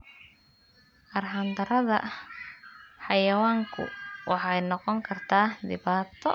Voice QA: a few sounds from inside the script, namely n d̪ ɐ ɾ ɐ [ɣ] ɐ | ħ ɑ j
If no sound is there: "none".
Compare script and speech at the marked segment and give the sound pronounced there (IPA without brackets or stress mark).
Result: ð